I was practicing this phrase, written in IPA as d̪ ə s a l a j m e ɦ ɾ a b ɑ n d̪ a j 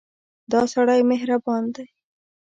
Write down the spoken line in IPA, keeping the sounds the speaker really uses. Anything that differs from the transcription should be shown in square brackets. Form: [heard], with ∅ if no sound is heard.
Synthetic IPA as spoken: d̪ [ɑ] s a [ɽ] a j m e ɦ ɾ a b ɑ n d̪ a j

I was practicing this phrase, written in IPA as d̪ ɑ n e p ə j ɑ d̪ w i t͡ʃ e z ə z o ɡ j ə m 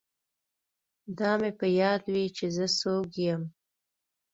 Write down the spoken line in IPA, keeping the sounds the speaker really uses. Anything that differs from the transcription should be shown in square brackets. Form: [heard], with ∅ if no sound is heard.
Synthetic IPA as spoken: d̪ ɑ [m] e p ə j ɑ d̪ w i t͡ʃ e z ə [s] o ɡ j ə m

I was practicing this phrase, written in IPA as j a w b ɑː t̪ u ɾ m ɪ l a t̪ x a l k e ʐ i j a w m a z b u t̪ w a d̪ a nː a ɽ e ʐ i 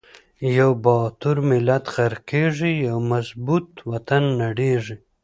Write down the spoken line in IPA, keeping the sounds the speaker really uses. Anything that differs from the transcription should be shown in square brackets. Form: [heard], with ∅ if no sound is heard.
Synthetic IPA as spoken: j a w b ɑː t̪ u ɾ m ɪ l a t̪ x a [ɾ] k e ʐ i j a w m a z b u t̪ w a [t̪] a nː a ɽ e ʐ i

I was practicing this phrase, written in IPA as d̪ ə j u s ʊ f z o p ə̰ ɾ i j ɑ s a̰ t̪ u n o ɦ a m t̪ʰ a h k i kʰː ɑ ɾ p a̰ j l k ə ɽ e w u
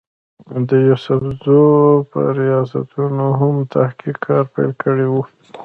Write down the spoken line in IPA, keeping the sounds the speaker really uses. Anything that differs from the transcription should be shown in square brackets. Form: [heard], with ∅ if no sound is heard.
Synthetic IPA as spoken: d̪ ə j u s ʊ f z o p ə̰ ɾ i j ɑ s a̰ t̪ u n o ɦ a m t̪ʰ a h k i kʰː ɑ ɾ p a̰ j l k ə ɽ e w u

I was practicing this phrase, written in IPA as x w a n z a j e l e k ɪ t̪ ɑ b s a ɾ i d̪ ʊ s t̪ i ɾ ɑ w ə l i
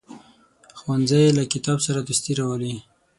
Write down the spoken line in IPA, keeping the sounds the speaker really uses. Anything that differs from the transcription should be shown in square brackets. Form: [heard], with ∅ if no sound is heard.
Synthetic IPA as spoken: x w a n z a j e l [a] k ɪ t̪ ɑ b s a ɾ [a] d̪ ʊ s t̪ i ɾ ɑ w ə l i

